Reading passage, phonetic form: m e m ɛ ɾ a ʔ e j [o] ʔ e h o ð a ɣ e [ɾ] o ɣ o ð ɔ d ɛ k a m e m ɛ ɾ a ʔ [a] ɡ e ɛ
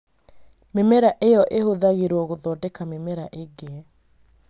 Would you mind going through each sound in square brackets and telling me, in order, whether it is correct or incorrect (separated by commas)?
incorrect, correct, incorrect